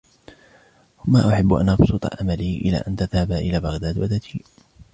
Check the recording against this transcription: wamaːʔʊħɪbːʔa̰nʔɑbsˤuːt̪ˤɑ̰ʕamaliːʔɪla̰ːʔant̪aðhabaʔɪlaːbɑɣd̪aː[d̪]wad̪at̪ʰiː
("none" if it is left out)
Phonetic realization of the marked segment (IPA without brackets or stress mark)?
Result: d̪